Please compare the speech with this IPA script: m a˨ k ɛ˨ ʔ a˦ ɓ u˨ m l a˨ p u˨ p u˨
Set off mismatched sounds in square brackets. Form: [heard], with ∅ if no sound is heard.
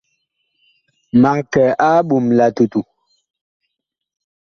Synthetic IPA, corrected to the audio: m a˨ k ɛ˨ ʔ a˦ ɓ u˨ m l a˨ [t] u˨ [t] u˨